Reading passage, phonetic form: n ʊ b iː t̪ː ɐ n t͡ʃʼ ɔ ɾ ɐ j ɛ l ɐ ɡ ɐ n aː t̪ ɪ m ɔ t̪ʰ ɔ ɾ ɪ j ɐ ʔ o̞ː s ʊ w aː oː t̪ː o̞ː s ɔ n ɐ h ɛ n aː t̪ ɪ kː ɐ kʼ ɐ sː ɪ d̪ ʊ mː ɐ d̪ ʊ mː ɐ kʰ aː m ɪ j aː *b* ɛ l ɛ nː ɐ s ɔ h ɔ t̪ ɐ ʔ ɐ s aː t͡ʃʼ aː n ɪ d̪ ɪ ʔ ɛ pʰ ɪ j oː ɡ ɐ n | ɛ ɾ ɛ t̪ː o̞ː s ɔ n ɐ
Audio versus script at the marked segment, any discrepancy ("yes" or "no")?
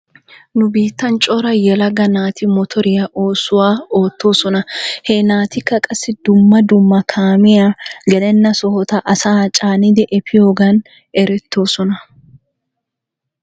yes